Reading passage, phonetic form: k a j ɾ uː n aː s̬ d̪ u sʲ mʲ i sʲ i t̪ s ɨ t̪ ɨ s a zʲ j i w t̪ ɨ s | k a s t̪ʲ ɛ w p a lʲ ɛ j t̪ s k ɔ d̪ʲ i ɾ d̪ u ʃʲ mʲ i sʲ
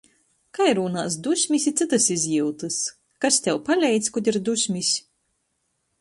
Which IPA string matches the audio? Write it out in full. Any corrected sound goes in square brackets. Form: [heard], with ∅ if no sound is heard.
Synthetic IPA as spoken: k a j ɾ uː n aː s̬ d̪ u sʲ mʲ i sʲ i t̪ s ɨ t̪ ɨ s [i] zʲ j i w t̪ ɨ s | k a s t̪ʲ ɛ w p a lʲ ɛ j t̪ s k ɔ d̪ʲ i ɾ d̪ u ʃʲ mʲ i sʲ